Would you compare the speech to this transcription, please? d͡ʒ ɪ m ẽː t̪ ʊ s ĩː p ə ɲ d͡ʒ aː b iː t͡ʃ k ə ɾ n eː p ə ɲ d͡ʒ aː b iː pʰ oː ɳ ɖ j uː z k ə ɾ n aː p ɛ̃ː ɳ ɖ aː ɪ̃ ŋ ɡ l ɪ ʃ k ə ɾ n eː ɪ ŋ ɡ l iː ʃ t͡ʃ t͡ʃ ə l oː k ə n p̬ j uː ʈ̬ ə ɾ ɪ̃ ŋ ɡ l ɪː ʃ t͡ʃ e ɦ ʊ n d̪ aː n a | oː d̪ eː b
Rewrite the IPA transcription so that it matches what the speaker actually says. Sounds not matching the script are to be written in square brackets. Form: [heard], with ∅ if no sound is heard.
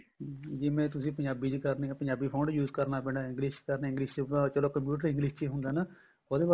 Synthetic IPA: d͡ʒ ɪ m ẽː t̪ ʊ s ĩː p ə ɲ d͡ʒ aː b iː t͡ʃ k ə ɾ n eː p ə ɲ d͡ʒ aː b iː pʰ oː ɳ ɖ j uː z k ə ɾ n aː p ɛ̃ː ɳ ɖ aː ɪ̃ ŋ ɡ l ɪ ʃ k ə ɾ n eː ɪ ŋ ɡ l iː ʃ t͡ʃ t͡ʃ ə l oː k ə [m] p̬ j uː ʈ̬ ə ɾ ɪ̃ ŋ ɡ l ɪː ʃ t͡ʃ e ɦ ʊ n d̪ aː n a | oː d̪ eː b